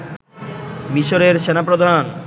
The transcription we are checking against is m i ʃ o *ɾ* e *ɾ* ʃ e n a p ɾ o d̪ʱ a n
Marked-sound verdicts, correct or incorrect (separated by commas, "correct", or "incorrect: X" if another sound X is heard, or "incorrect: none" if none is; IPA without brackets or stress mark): correct, correct